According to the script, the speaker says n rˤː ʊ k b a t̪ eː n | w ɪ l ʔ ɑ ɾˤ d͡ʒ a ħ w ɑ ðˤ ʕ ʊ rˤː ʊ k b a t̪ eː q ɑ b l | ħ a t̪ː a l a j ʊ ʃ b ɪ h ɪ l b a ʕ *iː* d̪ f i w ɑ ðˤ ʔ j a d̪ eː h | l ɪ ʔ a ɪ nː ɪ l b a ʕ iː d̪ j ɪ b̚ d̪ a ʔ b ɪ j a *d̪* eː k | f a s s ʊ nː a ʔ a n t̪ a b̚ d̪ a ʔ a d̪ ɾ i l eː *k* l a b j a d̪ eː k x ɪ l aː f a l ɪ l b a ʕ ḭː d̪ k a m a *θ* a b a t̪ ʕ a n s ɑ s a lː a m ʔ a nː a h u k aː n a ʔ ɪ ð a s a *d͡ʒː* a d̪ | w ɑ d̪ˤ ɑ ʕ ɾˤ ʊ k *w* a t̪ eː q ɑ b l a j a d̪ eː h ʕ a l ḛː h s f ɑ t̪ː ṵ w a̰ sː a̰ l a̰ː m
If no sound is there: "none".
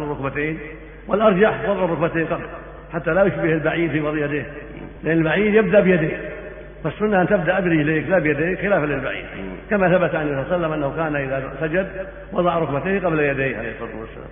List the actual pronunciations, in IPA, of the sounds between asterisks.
iː, d̪, k, θ, d͡ʒ, b

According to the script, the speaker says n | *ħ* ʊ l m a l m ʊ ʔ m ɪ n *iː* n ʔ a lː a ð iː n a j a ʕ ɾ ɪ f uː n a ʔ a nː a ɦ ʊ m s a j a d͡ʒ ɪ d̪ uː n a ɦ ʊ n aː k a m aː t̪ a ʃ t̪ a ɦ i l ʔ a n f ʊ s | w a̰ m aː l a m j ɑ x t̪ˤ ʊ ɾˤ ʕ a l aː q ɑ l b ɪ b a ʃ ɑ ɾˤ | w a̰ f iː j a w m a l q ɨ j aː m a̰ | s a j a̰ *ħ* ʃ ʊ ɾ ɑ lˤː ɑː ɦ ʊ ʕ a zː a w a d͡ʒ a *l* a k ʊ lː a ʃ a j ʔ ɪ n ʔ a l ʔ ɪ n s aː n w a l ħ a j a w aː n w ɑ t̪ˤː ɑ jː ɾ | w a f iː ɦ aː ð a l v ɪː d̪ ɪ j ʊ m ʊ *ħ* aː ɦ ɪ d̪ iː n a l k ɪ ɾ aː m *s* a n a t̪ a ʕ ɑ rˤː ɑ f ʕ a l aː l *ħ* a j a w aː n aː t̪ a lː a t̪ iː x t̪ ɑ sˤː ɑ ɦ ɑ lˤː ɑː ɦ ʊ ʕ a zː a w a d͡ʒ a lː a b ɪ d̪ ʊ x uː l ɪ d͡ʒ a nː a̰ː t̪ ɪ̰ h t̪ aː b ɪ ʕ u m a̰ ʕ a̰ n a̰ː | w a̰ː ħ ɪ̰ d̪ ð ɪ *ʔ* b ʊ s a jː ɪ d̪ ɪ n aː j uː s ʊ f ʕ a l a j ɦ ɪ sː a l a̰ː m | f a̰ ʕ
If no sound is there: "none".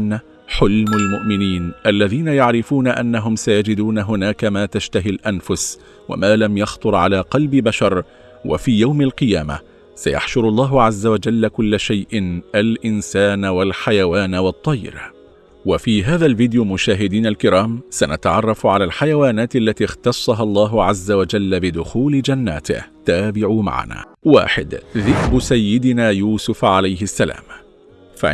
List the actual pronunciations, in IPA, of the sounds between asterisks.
ħ, iː, ħ, lː, ʃ, s, ħ, k

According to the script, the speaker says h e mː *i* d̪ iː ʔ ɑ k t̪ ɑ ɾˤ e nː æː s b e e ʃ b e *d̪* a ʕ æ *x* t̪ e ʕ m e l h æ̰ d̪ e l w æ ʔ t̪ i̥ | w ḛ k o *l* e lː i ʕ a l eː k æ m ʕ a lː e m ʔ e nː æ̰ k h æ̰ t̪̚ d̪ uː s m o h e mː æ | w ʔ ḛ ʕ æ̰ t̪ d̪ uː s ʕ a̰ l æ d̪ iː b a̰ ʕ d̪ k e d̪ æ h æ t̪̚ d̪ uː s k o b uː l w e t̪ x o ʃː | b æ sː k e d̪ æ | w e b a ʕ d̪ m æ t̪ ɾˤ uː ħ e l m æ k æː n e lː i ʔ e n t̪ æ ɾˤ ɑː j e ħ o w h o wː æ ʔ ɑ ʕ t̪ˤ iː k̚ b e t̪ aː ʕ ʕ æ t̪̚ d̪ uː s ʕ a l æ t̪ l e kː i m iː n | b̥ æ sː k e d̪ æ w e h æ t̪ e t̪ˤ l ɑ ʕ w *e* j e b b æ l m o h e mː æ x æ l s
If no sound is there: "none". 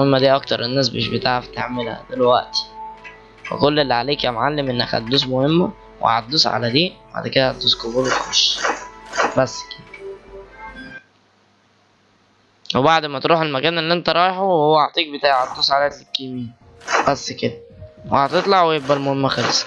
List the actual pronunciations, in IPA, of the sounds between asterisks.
æ, t̪, f, lː, e

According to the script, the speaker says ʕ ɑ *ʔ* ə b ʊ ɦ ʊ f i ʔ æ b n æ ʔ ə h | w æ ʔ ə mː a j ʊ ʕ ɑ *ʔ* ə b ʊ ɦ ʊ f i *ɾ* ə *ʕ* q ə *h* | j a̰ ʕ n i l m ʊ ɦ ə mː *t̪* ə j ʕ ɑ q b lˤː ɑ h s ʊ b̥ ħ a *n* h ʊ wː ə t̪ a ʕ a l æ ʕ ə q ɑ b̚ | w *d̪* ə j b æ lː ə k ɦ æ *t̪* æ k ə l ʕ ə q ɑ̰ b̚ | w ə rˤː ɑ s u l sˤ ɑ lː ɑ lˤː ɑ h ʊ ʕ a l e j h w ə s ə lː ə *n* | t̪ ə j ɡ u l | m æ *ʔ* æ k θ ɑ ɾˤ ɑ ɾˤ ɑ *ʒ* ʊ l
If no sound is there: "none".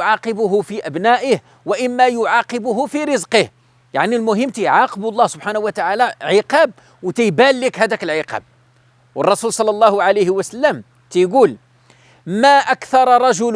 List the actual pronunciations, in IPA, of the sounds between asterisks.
q, q, ɾ, z, h, t̪, n, t̪, d̪, m, ʔ, ʒ

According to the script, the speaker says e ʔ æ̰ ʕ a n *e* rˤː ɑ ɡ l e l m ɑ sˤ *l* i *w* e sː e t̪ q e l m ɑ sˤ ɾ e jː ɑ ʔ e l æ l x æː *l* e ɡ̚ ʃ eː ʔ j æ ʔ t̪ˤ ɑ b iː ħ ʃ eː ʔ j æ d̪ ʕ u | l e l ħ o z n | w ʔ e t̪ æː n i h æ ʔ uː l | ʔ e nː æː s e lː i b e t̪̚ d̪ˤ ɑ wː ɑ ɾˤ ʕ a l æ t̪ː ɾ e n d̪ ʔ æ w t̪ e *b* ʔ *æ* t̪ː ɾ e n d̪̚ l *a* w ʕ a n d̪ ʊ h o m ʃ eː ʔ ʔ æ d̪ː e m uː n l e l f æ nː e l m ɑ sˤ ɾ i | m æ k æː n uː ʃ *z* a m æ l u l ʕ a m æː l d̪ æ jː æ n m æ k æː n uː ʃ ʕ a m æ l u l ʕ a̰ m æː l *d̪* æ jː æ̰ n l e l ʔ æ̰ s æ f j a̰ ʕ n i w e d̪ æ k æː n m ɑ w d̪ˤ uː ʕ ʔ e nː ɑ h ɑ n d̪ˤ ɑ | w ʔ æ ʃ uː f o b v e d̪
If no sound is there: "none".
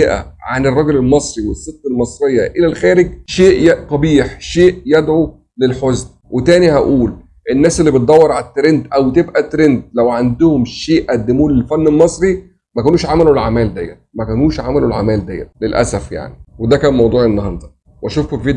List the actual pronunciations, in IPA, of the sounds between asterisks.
e, ɾ, w, ɾ, b, æ, æ, ʕ, d̪

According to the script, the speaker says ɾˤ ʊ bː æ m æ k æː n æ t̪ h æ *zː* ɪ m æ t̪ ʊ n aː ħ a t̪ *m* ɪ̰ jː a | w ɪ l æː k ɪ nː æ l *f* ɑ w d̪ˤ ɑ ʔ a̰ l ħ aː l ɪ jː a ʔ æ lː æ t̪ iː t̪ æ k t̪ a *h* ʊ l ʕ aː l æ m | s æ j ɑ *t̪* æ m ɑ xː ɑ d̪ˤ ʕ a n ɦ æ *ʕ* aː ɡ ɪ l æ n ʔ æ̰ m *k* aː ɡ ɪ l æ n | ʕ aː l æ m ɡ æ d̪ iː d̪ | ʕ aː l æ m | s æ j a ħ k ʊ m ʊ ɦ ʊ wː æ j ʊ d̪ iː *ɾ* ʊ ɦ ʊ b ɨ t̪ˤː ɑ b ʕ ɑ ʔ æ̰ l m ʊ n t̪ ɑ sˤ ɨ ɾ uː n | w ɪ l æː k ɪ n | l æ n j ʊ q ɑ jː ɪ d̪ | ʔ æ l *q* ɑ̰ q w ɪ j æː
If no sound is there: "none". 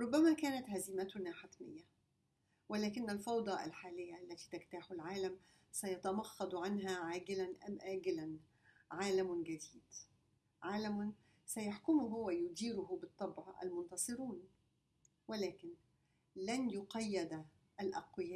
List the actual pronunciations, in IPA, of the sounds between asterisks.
z, m, f, ħ, t̪, ʕ, ʔ, ɾ, ʔ

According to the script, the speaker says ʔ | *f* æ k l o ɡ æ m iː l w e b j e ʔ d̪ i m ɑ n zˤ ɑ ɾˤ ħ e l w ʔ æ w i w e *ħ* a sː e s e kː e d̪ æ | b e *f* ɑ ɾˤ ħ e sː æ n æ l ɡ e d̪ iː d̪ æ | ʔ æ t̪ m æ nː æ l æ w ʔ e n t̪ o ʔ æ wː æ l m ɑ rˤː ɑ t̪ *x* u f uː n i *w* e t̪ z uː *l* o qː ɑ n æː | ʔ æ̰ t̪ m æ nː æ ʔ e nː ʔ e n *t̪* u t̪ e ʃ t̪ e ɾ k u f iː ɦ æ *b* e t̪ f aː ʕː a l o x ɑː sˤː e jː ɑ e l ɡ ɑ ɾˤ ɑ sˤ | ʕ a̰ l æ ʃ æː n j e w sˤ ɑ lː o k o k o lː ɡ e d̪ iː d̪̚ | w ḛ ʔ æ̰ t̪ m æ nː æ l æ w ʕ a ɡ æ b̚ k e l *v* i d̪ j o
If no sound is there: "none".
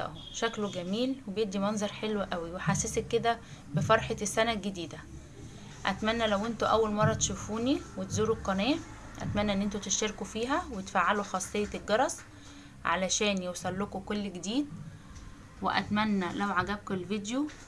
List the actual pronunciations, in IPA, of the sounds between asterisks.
ʃ, ħ, f, ʃ, w, ɾ, t̪, w, v

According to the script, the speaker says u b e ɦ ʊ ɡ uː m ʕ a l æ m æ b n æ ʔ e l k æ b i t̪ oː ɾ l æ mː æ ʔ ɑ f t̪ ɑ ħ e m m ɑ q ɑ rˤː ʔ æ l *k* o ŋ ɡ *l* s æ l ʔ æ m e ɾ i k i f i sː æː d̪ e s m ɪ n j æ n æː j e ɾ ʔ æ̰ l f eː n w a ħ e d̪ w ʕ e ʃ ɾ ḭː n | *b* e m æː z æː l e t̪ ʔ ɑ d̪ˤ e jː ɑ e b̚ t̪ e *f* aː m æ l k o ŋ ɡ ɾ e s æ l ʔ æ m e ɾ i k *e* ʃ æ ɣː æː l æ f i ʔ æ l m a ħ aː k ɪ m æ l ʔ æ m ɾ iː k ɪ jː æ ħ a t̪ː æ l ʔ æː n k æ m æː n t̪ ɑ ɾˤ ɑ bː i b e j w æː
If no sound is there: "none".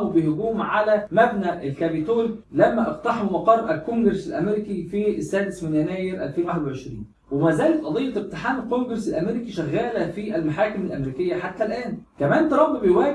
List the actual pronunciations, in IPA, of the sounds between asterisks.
k, ɾ, w, ħ, i

